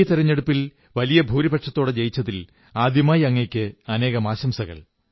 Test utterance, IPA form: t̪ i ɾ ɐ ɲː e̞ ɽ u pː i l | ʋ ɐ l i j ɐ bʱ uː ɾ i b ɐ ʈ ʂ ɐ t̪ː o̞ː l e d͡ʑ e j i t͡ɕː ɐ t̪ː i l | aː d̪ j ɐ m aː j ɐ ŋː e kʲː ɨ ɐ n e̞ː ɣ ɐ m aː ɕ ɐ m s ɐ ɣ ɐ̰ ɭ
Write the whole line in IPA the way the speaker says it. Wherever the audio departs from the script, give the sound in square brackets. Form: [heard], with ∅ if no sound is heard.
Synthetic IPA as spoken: t̪ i ɾ ɐ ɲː e̞ ɽ u pː i l | ʋ ɐ l i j ɐ bʱ uː ɾ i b ɐ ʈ ʂ ɐ t̪ː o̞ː [ɽ] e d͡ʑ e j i t͡ɕː ɐ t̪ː i l | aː d̪ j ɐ m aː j ɐ ŋː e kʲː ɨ ɐ n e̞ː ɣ ɐ m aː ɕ ɐ m s ɐ ɣ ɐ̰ ɭ